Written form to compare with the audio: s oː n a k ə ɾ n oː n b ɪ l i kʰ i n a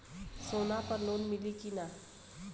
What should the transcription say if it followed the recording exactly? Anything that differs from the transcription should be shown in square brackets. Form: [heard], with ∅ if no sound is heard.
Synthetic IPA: s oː n a [p] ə ɾ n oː n [m] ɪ l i [k] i n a